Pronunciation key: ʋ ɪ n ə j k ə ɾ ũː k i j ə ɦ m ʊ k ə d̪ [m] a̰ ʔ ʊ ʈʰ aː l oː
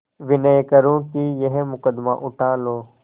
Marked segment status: correct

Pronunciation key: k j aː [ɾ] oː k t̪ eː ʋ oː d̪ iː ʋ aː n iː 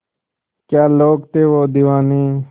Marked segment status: incorrect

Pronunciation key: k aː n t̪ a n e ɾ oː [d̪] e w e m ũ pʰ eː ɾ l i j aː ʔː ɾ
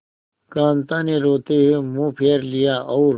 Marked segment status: incorrect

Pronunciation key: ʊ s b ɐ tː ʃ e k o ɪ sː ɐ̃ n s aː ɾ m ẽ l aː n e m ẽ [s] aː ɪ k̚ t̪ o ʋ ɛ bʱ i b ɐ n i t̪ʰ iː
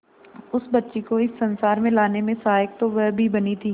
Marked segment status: correct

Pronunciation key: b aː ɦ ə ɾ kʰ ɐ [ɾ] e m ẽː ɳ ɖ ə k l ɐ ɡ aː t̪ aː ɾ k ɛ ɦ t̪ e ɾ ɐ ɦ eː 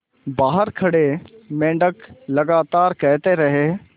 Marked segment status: incorrect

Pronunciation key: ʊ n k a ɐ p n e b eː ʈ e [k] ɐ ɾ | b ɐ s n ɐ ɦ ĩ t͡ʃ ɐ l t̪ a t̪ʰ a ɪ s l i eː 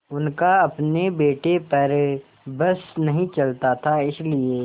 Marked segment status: incorrect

